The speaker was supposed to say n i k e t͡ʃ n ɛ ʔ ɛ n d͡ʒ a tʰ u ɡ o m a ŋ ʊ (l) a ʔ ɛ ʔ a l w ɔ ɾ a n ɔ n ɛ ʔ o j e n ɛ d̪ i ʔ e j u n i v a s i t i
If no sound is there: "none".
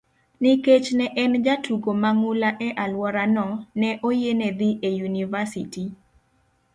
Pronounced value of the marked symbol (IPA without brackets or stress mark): l